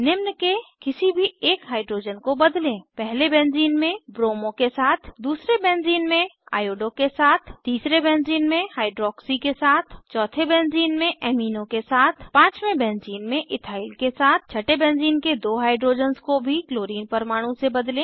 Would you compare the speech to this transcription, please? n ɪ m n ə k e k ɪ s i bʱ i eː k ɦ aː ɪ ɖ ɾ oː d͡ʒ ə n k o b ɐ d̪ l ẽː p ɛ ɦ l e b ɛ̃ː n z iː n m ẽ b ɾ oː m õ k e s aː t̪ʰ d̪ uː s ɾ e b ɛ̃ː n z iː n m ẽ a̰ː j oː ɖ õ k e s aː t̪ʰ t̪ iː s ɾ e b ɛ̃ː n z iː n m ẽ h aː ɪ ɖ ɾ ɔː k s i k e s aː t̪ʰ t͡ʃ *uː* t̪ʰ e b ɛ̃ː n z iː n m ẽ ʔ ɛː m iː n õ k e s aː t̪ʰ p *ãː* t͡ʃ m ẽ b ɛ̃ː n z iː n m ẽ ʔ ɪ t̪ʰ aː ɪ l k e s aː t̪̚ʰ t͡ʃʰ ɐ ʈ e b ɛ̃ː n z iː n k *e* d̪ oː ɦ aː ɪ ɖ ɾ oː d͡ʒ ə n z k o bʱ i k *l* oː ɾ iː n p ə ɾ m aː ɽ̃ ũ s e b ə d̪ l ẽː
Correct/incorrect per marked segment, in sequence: incorrect: ɔː, correct, correct, correct

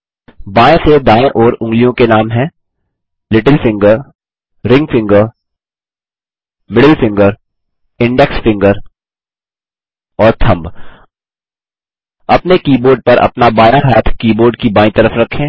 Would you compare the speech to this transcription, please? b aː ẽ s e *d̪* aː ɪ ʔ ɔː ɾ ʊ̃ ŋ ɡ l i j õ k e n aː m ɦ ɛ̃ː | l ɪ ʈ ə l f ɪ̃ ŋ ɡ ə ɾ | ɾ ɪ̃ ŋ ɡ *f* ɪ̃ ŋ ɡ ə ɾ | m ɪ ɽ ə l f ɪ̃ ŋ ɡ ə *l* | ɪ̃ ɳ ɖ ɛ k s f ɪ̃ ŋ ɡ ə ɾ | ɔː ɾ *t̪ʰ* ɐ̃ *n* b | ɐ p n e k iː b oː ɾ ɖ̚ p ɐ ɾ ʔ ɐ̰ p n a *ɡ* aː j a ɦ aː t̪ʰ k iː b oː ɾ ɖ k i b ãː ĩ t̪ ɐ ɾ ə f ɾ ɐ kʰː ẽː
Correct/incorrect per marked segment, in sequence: correct, correct, incorrect: ɾ, correct, incorrect: m, incorrect: b

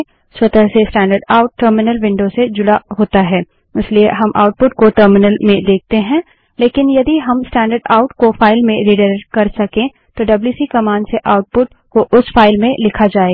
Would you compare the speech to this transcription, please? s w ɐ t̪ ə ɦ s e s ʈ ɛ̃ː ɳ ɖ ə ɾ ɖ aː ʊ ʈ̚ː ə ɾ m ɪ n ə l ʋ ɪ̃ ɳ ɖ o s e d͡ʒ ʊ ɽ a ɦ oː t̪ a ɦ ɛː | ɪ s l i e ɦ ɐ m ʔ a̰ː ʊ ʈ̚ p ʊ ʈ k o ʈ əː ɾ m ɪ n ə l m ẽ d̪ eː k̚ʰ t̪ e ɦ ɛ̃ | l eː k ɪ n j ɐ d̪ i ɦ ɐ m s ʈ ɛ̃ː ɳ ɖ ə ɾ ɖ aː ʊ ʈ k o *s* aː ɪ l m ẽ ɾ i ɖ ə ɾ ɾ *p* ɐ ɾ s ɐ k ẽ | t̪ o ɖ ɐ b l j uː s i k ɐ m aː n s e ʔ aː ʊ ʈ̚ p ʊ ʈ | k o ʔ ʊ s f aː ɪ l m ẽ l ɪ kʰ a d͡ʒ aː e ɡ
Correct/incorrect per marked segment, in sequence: incorrect: f, incorrect: k

